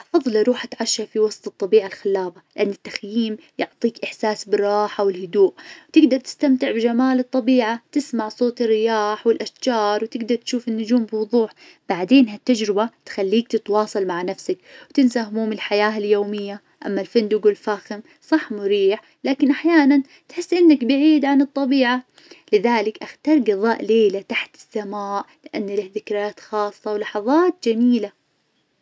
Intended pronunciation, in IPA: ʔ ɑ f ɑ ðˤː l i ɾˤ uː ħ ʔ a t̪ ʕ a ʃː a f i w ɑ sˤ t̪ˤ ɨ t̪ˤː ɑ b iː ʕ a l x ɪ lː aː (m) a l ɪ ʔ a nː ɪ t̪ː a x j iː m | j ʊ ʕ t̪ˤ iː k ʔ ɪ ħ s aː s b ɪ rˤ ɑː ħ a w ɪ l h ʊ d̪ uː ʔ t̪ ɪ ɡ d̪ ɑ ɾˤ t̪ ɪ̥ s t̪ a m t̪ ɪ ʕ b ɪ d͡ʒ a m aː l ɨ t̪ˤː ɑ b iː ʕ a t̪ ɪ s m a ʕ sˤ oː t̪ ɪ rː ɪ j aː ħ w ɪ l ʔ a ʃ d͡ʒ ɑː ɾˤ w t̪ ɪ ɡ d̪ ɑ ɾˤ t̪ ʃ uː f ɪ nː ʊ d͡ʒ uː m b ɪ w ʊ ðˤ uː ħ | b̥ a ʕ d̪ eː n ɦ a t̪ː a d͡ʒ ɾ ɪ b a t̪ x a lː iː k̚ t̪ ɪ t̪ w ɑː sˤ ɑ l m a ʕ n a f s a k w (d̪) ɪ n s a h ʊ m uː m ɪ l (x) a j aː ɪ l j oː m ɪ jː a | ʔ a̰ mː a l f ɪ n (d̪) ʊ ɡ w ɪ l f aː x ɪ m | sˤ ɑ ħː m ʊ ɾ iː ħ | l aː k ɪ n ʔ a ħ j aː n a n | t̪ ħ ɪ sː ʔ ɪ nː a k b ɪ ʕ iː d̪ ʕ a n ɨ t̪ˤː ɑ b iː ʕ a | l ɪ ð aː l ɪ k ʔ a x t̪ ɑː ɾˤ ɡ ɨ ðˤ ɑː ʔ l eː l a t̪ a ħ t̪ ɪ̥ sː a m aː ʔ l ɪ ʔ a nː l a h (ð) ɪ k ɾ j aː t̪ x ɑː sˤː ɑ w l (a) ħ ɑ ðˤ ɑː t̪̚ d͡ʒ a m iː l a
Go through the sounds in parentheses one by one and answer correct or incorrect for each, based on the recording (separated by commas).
incorrect, incorrect, incorrect, correct, correct, incorrect